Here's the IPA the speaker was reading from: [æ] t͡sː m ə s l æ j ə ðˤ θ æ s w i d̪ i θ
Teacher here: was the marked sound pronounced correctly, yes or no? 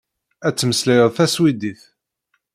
yes